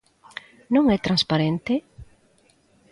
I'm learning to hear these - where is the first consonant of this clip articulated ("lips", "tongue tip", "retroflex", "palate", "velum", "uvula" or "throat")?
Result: tongue tip